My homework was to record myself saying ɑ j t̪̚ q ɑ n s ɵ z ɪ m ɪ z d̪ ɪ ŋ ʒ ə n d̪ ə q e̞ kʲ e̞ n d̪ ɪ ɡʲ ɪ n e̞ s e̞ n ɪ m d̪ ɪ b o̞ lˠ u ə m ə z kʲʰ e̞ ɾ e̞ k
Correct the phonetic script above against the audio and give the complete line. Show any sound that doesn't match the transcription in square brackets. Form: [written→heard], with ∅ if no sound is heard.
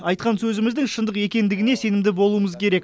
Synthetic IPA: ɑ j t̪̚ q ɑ n s ɵ z ɪ m ɪ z d̪ ɪ ŋ [ʒ→ʃ] ə n d̪ ə q e̞ kʲ e̞ n d̪ ɪ ɡʲ ɪ n e̞ s e̞ n ɪ m d̪ ɪ b o̞ lˠ u ə m ə z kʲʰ e̞ ɾ e̞ k

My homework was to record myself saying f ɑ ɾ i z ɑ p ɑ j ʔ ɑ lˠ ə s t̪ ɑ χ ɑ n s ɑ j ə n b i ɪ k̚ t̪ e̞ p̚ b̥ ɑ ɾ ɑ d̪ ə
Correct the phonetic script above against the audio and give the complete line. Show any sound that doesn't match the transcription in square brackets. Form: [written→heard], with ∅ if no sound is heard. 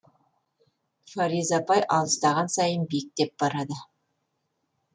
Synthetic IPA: f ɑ ɾ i z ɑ p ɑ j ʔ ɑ lˠ ə s t̪ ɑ [χ→ʁ] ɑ n s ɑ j ə n b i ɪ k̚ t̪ e̞ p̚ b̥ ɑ ɾ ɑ d̪ ə

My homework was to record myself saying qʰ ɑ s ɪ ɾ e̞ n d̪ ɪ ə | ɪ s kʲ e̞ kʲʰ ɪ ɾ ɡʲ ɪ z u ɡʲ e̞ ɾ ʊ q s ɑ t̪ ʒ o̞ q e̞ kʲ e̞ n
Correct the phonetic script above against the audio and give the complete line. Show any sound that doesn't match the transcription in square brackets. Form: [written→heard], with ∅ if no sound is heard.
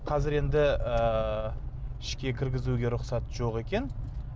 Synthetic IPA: qʰ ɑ [s→z] ɪ ɾ e̞ n d̪ ɪ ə | ɪ [s→ʃ] kʲ e̞ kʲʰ ɪ ɾ ɡʲ ɪ z u ɡʲ e̞ ɾ ʊ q s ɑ t̪ ʒ o̞ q e̞ kʲ e̞ n

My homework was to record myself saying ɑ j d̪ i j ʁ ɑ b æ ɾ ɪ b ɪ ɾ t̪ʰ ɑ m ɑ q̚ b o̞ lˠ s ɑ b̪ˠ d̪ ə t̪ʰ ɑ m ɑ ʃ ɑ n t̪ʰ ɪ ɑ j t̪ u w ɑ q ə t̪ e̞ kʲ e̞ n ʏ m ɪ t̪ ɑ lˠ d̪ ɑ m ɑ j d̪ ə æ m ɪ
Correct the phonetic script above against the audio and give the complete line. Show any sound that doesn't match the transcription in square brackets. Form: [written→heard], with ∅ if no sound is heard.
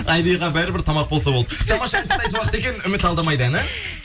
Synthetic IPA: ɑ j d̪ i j ʁ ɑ b æ ɾ ɪ b ɪ ɾ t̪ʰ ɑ m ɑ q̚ b o̞ lˠ s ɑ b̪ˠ d̪ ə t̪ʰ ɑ m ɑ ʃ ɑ n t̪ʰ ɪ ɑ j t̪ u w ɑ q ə t̪ e̞ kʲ e̞ n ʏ m ɪ t̪ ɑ lˠ d̪ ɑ m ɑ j d̪ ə æ [m→n] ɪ

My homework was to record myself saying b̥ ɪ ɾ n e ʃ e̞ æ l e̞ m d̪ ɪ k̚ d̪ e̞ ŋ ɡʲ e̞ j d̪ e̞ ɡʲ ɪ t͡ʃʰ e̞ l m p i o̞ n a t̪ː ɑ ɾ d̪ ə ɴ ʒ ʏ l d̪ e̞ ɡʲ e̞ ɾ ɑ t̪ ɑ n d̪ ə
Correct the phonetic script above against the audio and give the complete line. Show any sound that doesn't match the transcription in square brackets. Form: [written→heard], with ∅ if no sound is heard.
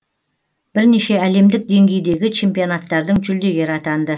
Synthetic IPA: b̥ ɪ ɾ n e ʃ e̞ æ l e̞ m d̪ ɪ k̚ d̪ e̞ ŋ ɡʲ e̞ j d̪ e̞ ɡʲ ɪ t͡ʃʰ e̞ [l→∅] m p i o̞ n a t̪ː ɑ ɾ d̪ ə ɴ ʒ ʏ l d̪ e̞ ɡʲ e̞ ɾ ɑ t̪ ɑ n d̪ ə

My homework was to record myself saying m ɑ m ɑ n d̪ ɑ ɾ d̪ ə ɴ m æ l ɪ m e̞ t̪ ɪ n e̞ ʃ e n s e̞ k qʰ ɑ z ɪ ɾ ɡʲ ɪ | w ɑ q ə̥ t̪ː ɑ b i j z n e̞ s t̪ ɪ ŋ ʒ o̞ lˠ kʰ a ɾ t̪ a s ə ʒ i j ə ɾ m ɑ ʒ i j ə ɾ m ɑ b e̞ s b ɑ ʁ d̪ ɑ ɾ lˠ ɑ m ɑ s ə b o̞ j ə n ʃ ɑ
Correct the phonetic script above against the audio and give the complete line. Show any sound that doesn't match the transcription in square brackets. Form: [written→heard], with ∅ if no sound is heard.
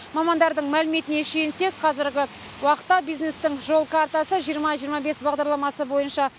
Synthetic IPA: m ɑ m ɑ n d̪ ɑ ɾ d̪ ə ɴ m æ l ɪ m e̞ t̪ ɪ n e̞ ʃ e n s e̞ k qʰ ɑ z ɪ ɾ ɡʲ ɪ | w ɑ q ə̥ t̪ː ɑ b i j z n e̞ s t̪ ɪ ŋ ʒ o̞ lˠ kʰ a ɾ t̪ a s ə ʒ i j ə ɾ m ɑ ʒ i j ə ɾ m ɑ b e̞ s b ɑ ʁ d̪ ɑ ɾ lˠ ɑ m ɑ s ə b o̞ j ə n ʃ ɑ

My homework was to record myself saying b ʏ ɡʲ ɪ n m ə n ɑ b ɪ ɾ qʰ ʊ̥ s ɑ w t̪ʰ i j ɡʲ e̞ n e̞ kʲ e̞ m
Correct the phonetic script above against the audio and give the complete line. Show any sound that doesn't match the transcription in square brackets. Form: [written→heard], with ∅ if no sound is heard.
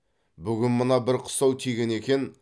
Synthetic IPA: b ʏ ɡʲ ɪ n m ə n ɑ b ɪ ɾ qʰ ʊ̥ s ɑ w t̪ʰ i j ɡʲ e̞ n e̞ kʲ e̞ [m→n]

